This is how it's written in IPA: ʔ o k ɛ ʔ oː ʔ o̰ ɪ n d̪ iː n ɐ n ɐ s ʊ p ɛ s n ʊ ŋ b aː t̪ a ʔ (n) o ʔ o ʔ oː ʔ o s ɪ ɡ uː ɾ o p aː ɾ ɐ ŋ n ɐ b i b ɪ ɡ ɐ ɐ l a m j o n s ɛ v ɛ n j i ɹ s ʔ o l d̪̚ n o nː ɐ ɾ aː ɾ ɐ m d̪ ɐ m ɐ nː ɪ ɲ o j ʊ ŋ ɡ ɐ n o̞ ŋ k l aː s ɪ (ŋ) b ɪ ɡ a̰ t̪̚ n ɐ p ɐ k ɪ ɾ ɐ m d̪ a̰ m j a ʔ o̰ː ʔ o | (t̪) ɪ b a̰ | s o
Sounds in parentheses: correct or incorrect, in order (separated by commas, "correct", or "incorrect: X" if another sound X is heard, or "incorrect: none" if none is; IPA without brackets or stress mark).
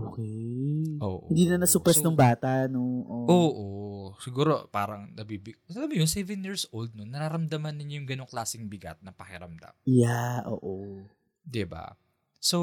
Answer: correct, correct, incorrect: d̪